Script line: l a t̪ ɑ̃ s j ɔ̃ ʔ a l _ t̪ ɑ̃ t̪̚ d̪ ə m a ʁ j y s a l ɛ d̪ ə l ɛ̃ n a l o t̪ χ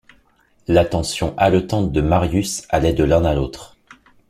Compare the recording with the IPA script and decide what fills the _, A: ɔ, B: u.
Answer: A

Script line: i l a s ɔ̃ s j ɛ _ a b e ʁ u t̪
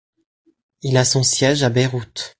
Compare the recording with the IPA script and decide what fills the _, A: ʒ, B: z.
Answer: A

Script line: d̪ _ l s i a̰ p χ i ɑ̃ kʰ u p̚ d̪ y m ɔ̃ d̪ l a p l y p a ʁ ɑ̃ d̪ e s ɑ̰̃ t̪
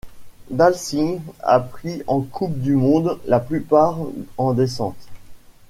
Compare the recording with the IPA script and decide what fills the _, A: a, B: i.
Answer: A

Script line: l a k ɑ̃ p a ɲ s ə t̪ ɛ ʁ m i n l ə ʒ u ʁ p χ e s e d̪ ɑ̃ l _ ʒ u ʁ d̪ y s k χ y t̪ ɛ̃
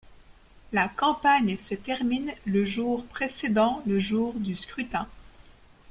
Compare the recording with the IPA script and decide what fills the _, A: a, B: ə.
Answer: B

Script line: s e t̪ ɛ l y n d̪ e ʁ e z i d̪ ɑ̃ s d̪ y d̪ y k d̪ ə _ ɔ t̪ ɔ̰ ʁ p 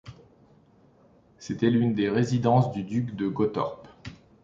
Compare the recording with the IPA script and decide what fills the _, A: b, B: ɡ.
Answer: B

